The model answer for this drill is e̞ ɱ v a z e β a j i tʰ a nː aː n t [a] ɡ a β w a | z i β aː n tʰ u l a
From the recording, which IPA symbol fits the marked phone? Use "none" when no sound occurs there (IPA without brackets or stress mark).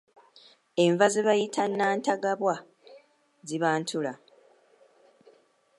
a